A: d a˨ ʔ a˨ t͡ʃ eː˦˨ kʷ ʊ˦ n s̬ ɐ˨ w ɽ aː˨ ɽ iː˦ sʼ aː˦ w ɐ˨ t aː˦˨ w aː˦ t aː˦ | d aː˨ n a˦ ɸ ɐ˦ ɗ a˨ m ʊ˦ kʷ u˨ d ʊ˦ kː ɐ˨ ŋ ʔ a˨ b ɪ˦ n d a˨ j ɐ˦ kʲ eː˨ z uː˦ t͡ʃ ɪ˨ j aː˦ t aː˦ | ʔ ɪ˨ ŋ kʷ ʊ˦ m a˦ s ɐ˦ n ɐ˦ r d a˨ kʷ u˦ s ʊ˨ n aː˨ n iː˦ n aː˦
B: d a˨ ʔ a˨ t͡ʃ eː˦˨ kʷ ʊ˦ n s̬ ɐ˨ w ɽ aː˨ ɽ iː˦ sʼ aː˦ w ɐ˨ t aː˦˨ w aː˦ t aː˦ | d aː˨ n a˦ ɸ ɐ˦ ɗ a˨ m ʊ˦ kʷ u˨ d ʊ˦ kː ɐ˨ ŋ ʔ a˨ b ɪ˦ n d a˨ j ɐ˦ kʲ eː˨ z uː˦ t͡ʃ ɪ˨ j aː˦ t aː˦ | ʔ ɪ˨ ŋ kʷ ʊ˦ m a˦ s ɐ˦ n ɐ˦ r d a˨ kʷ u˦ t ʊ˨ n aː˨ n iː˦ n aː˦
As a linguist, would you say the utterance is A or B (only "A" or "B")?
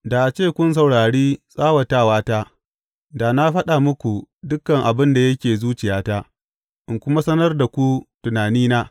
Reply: B